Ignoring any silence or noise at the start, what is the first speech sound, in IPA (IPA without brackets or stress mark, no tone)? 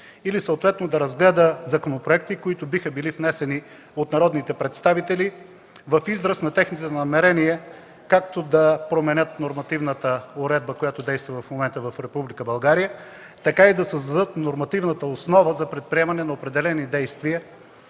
i